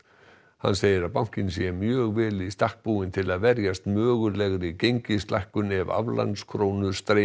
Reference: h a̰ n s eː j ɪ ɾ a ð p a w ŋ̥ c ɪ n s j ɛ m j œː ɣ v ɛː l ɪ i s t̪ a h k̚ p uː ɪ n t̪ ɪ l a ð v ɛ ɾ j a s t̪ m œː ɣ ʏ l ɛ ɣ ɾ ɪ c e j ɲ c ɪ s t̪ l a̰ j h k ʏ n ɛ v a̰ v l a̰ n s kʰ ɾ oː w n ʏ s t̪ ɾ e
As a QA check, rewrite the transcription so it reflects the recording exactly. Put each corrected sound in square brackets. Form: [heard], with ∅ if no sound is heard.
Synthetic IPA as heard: h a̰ n s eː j ɪ ɾ a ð p a w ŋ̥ c ɪ n s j ɛ m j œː ɣ v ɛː l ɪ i s t̪ a h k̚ p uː ɪ n [t̪ʰ] ɪ l a ð v ɛ ɾ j a s t̪ m œː ɣ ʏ l ɛ ɣ ɾ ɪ c e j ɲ c ɪ s t̪ l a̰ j h k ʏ n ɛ v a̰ v l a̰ n s kʰ ɾ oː w n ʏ s t̪ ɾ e